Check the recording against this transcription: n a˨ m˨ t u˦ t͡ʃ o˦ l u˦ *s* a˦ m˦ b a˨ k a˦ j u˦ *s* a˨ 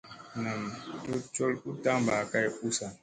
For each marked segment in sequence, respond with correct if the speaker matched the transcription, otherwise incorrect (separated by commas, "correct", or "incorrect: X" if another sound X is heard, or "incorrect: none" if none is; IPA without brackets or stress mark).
incorrect: t, correct